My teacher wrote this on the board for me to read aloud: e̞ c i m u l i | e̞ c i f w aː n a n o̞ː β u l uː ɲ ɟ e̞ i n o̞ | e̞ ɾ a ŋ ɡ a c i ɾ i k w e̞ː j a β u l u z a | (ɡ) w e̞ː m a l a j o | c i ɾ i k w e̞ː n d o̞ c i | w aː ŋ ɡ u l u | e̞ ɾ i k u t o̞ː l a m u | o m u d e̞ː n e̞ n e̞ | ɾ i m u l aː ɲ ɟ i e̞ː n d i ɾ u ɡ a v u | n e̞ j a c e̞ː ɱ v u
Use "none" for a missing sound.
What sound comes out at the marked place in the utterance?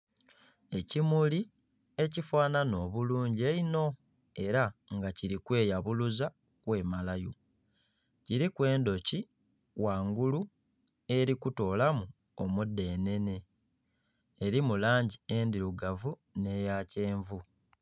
k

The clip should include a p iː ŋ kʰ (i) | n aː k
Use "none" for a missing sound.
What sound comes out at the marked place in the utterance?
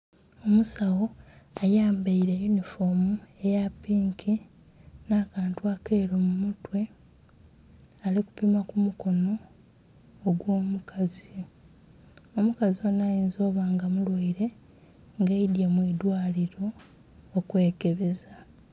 i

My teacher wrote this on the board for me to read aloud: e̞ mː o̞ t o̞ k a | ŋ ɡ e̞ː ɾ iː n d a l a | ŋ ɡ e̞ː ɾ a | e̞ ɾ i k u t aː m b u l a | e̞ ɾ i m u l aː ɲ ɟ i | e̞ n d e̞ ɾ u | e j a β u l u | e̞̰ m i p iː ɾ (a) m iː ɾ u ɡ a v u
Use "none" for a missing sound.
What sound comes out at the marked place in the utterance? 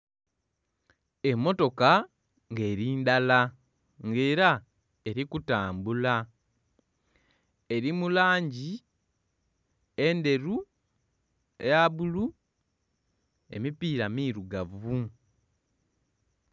a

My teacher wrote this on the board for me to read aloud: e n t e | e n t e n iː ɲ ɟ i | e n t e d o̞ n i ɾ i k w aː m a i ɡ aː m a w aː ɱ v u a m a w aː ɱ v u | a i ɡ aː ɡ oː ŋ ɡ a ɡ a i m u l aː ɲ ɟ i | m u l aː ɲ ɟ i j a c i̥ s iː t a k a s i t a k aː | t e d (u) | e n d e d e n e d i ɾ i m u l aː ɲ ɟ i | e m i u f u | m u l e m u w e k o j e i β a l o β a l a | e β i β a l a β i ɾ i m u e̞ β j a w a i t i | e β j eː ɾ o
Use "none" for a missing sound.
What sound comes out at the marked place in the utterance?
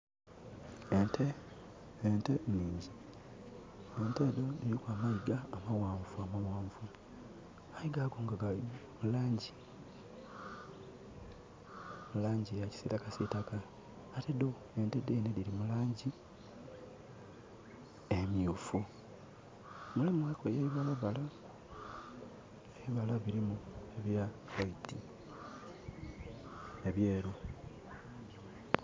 o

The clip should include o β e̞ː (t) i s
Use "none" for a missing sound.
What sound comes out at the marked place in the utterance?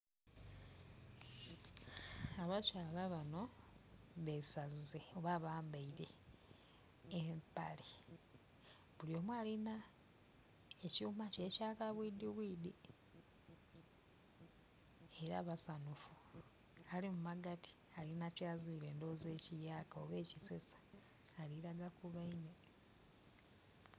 c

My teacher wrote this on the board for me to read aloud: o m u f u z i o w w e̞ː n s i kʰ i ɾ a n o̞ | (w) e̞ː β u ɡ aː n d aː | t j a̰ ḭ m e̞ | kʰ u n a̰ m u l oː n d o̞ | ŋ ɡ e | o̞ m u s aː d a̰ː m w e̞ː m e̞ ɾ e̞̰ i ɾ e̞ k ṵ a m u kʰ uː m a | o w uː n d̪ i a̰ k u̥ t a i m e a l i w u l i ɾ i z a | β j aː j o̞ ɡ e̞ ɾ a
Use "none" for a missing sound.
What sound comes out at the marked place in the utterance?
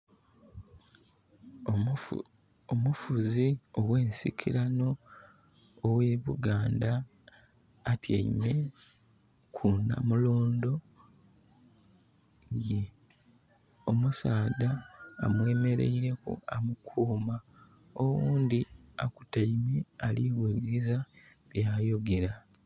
w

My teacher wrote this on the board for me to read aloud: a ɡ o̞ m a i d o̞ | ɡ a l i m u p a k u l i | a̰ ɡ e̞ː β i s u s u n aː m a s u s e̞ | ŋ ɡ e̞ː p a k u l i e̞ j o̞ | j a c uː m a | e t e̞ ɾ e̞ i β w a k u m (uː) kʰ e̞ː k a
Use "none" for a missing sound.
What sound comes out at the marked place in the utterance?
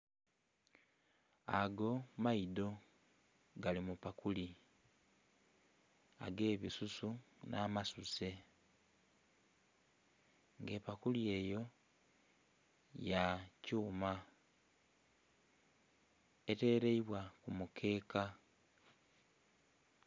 u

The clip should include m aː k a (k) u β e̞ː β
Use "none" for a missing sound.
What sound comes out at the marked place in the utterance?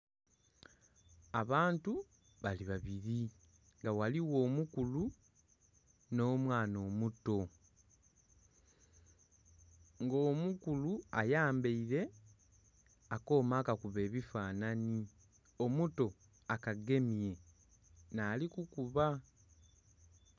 k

